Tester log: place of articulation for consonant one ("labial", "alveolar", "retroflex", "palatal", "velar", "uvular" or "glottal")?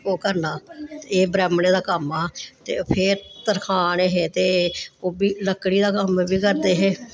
velar